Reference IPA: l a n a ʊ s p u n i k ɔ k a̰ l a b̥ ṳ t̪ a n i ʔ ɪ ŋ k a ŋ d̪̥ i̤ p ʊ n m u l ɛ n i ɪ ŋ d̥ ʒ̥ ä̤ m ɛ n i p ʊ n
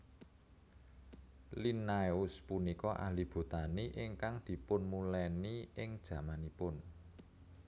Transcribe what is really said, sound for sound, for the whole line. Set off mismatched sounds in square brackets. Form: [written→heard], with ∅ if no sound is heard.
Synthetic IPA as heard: l [a→i] n a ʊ s p u n i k ɔ [k→ʔ] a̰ l [a→i] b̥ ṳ t̪ a n i ʔ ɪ ŋ k a ŋ d̪̥ i̤ p ʊ n m u l ɛ n i ɪ ŋ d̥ ʒ̥ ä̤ m [ɛ→a] n i p ʊ n